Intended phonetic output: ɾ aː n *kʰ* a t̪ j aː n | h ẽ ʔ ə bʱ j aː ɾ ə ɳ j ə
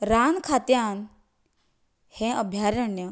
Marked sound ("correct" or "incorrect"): correct